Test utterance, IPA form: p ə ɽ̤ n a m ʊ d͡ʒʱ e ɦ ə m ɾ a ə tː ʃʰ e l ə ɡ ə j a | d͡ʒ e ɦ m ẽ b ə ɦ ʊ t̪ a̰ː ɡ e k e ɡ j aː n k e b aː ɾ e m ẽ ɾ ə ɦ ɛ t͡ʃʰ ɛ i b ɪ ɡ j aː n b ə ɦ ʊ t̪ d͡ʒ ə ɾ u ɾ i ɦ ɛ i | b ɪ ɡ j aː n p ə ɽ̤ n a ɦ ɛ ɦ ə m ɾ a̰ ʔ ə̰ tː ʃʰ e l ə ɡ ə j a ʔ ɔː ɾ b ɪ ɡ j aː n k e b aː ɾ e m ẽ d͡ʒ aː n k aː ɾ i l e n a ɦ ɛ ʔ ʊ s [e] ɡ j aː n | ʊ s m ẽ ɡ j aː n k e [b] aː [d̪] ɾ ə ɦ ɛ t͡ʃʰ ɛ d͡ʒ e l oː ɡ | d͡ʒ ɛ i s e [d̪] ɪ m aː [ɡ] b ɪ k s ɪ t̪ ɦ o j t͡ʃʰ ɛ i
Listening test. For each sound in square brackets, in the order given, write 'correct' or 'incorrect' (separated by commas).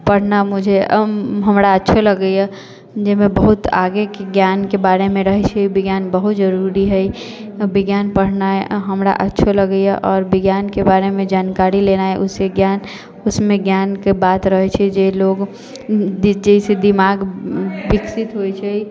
correct, correct, incorrect, correct, correct